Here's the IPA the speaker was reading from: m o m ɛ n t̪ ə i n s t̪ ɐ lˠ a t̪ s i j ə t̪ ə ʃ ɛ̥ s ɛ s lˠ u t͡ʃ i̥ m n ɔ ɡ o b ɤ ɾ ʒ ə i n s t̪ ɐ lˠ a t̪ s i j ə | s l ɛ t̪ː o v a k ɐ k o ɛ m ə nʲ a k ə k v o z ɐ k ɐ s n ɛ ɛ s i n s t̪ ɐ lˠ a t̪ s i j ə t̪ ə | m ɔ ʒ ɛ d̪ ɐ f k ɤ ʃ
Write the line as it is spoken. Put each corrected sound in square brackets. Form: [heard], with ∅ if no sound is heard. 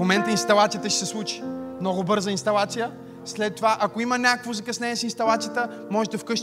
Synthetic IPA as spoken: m o m ɛ n t̪ ə i n s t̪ ɐ lˠ a t̪ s i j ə t̪ ə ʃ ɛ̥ s ɛ s lˠ u t͡ʃ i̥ m n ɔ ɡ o b ɤ ɾ [z] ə i n s t̪ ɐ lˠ a t̪ s i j ə | s l ɛ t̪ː o v a [ʔ] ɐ k o [i] m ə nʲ a k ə k v o z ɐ k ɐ s n ɛ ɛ s i n s t̪ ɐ lˠ a t̪ s i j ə t̪ ə | m ɔ ʒ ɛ d̪ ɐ f k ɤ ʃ